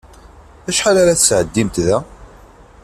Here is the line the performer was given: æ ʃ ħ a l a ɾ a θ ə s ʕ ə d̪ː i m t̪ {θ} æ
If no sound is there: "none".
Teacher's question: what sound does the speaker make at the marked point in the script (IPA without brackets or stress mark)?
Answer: ð